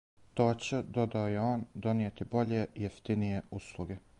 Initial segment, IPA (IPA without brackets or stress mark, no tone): t̪